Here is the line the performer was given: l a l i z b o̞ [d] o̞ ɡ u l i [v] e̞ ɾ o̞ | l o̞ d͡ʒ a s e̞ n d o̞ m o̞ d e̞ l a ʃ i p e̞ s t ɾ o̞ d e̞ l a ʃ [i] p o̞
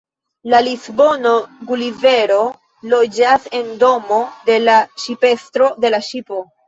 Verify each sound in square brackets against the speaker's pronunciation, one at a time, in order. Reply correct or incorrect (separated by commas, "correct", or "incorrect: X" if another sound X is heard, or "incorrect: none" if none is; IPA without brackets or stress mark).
incorrect: n, correct, correct